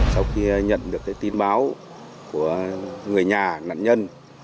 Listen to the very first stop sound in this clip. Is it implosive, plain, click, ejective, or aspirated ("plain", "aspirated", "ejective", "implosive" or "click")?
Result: implosive